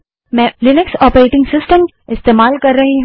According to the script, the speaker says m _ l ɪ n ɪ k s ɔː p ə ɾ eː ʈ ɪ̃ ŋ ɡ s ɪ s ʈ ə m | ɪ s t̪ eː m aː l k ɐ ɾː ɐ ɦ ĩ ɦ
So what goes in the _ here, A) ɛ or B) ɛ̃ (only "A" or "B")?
B